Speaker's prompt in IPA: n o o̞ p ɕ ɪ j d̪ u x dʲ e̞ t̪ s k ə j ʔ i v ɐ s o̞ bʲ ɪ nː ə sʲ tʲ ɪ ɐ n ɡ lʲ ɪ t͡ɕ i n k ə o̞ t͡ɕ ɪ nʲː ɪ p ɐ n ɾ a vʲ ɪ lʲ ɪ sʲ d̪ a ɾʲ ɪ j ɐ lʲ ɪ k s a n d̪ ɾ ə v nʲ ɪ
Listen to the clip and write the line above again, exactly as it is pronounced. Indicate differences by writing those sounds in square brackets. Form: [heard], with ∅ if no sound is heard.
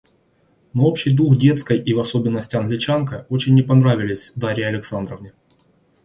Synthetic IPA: n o o̞ p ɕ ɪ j d̪ u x dʲ e̞ t̪ s k ə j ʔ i v ɐ s o̞ bʲ ɪ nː ə sʲ tʲ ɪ ɐ n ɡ lʲ ɪ t͡ɕ [a] n k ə o̞ t͡ɕ ɪ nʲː ɪ p ɐ n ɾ a vʲ ɪ lʲ ɪ sʲ d̪ a ɾʲ ɪ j ɐ lʲ ɪ k s a n d̪ ɾ ə v nʲ ɪ